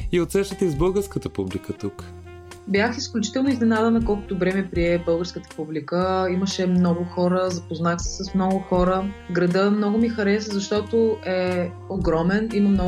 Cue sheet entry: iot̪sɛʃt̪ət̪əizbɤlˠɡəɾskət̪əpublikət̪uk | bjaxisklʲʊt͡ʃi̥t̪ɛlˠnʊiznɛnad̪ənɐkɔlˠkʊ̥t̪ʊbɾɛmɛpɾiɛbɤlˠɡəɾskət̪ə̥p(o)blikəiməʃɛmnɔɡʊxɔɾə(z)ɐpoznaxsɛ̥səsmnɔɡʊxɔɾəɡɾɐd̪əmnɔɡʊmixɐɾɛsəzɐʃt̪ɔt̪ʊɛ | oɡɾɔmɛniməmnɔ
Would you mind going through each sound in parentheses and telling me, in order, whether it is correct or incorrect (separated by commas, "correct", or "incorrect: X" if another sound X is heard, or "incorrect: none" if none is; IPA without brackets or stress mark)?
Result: incorrect: u, correct